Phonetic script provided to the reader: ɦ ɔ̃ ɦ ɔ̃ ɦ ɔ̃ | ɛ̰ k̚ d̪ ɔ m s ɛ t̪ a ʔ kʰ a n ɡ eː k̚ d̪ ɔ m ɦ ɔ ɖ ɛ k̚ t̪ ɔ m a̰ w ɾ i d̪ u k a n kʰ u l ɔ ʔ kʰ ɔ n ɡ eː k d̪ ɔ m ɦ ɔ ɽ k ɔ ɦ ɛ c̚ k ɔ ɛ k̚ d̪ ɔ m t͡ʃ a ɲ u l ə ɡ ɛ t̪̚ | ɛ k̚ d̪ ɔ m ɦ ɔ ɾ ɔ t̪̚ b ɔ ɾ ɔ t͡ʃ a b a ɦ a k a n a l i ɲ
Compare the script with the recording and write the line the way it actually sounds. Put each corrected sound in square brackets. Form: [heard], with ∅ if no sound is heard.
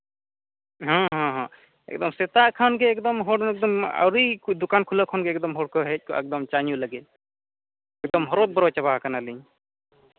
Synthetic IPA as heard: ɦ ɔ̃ ɦ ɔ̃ ɦ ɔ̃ | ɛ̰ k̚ d̪ ɔ m s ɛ t̪ a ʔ kʰ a n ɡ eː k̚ d̪ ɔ m ɦ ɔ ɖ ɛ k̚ [d̪] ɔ m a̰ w ɾ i d̪ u k a n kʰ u l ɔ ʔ kʰ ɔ n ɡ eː k d̪ ɔ m ɦ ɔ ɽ k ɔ ɦ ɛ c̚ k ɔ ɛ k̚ d̪ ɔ m t͡ʃ a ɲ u l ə ɡ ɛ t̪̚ | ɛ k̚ d̪ ɔ m ɦ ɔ ɾ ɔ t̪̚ b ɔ ɾ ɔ t͡ʃ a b a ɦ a k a n a l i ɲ